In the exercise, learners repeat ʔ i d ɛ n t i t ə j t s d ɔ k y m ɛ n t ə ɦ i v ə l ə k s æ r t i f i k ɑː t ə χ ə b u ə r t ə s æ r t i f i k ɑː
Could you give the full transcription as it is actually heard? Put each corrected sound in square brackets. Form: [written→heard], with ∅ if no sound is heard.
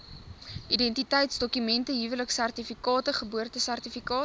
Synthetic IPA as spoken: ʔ i d ɛ n t i t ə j t s d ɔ k y m ɛ n t ə ɦ i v ə l ə k s æ r t i f i k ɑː t ə χ ə b u ə r t ə s æ r t i f i k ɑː